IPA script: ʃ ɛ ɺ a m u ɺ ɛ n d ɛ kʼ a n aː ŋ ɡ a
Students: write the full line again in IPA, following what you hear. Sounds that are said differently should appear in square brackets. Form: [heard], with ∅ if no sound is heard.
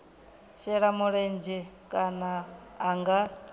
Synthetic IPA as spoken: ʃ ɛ ɺ a m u ɺ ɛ n [d͡ʒ] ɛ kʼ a n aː ŋ ɡ a